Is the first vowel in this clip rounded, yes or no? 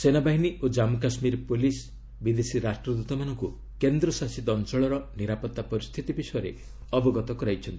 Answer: no